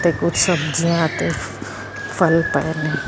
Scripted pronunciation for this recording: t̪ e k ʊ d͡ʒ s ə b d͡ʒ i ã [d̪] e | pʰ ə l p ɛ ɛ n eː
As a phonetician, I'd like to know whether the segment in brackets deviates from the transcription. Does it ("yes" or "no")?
yes